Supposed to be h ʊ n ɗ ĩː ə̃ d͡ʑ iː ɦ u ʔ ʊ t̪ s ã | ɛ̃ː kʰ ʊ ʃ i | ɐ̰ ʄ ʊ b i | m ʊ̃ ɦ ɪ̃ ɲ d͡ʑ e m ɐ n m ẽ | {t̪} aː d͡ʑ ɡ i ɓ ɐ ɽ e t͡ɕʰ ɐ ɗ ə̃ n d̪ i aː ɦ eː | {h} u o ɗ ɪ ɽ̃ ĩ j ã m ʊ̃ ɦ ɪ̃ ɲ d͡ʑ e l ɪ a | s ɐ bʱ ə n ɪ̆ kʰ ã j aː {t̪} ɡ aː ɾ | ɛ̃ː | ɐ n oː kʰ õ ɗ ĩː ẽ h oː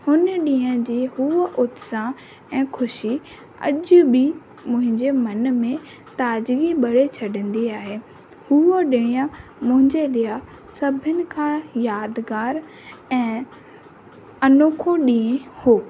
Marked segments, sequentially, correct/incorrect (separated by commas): correct, correct, incorrect